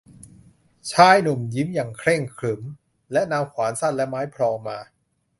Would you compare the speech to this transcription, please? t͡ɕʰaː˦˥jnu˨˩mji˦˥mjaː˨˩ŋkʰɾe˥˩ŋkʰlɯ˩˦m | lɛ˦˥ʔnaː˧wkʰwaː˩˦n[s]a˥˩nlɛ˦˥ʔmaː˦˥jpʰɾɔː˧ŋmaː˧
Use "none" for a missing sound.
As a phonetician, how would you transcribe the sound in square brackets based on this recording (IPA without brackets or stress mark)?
s